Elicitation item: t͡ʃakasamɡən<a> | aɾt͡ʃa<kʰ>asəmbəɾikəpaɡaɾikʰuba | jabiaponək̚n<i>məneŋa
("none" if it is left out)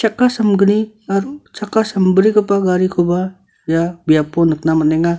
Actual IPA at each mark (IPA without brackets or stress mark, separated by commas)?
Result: i, k, a